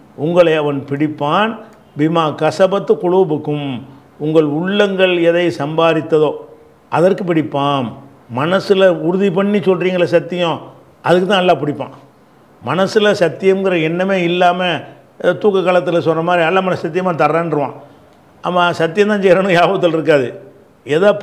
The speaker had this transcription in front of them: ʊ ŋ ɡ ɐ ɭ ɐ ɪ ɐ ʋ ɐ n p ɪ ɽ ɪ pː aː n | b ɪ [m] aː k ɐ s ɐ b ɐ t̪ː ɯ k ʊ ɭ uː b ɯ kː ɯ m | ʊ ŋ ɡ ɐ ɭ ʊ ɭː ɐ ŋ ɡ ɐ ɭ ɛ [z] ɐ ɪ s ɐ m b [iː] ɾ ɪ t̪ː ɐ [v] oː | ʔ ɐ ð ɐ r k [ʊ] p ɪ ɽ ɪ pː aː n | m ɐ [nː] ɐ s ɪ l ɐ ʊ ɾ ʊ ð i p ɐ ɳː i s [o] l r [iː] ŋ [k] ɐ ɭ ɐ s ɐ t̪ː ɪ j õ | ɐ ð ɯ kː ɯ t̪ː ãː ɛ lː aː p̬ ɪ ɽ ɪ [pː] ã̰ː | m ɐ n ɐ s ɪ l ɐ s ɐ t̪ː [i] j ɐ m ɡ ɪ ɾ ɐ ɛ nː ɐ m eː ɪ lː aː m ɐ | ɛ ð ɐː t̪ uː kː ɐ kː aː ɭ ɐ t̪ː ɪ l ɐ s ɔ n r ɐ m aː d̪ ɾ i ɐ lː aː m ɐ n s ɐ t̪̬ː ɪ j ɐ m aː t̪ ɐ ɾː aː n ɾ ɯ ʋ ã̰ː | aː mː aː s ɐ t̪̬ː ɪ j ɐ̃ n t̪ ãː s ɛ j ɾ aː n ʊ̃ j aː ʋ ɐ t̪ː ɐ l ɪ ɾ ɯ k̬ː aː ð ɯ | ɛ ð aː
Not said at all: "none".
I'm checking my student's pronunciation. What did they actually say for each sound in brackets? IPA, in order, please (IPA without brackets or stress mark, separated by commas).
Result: m, ð, aː, ð, ɯ, n, ɔ, iː, ɡ, pː, ɪ